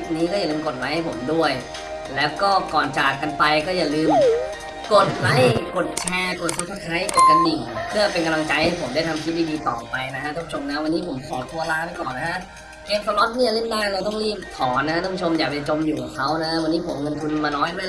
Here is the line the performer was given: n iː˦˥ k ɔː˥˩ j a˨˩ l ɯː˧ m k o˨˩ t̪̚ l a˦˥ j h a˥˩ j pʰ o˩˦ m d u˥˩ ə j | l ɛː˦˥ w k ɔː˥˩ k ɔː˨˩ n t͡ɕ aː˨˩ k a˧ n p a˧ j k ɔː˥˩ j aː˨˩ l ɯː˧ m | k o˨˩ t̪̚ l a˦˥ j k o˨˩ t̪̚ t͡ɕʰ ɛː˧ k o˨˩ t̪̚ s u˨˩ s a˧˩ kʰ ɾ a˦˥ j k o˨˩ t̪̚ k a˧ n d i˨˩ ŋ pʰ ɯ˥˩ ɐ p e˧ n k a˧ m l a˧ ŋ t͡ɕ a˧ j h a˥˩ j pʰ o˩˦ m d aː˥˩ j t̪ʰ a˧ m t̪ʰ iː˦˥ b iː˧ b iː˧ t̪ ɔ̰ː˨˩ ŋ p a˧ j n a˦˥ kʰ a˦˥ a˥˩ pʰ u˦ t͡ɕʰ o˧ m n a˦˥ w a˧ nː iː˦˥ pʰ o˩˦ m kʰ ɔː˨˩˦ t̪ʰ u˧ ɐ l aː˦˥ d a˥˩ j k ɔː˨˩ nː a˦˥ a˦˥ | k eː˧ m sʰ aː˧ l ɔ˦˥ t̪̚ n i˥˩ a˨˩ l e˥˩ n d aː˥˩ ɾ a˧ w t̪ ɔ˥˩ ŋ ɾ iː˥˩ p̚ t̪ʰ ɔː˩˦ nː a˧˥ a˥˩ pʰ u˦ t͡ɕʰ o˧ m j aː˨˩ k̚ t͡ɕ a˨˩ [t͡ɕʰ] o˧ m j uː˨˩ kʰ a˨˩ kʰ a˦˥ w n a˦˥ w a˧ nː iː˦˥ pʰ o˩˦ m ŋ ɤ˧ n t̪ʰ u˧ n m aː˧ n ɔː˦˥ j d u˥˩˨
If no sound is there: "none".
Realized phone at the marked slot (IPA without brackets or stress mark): t͡ɕ